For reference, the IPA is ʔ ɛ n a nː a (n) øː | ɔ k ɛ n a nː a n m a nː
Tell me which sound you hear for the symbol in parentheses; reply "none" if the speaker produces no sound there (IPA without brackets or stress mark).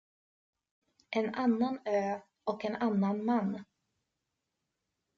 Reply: n